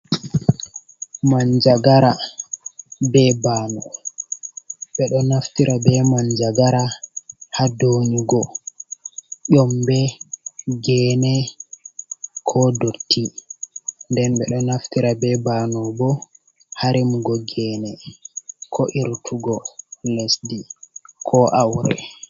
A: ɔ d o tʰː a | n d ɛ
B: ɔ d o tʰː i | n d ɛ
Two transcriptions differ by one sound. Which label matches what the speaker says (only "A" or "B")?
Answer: B